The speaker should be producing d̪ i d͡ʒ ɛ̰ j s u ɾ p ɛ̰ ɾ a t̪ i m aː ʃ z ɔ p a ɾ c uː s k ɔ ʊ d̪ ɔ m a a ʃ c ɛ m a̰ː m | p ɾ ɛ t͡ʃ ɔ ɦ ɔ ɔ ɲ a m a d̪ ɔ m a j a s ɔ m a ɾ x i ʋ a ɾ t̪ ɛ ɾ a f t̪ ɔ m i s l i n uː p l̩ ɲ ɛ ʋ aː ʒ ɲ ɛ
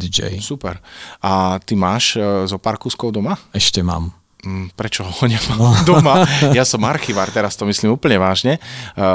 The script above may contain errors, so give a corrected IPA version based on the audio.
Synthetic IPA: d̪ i d͡ʒ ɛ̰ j s u p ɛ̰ ɾ a t̪ i m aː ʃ z ɔ p a ɾ k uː s k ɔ ʊ d̪ ɔ m a ɛ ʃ c ɛ m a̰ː m | p ɾ ɛ t͡ʃ ɔ ɦ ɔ ɔ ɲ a m a d̪ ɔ m a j a s ɔ m a ɾ x i ʋ a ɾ t̪ ɛ ɾ a s t̪ ɔ m i s l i m uː p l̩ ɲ ɛ ʋ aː ʒ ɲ ɛ